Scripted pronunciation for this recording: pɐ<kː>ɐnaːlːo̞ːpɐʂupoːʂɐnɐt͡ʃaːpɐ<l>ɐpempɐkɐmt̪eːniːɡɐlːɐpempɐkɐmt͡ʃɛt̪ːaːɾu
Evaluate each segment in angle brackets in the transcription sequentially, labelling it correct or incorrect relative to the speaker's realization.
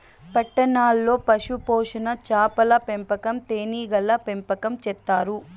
incorrect: ʈː, correct

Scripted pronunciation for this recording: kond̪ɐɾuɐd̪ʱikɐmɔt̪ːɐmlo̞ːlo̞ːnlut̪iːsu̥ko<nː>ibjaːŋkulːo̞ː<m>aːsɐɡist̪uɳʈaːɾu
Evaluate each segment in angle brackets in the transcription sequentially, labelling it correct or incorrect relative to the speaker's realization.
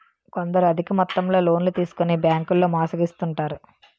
incorrect: n, correct

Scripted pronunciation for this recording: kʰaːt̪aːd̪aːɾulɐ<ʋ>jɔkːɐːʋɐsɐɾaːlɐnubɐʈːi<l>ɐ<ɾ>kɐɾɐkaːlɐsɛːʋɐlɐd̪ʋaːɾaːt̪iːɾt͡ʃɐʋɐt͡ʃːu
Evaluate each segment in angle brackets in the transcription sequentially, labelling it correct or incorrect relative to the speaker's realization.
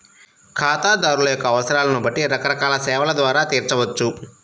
incorrect: none, incorrect: ɾ, incorrect: none

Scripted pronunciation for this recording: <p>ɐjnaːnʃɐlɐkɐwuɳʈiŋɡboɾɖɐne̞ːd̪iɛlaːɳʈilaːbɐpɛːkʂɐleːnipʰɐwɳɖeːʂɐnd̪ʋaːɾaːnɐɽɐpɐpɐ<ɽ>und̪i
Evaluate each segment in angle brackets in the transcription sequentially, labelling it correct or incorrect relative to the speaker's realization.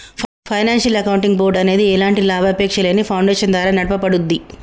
incorrect: pʰ, correct

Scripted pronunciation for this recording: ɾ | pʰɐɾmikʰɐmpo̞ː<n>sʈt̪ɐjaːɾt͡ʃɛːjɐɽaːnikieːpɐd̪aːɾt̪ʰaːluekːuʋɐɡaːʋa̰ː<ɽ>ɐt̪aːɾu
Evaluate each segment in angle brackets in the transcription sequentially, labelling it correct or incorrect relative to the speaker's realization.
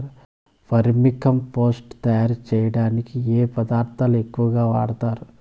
incorrect: none, correct

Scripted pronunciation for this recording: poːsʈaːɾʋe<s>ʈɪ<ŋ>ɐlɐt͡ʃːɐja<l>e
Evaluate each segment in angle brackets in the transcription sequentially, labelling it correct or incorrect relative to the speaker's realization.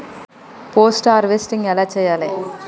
correct, correct, correct

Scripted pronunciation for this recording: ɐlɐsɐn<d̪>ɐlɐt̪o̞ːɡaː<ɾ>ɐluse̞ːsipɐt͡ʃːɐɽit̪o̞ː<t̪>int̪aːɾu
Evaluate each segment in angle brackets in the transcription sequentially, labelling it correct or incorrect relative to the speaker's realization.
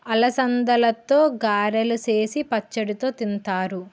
correct, correct, correct

